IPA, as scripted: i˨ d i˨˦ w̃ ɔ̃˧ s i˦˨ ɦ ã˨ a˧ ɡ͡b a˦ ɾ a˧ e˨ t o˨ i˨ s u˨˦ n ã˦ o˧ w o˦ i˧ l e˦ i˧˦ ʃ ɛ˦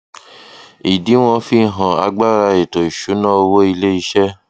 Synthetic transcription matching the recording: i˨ d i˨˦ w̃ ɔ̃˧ f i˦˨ ɦ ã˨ a˧ ɡ͡b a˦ ɾ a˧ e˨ t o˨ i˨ ʃ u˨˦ n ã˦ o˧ w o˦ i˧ l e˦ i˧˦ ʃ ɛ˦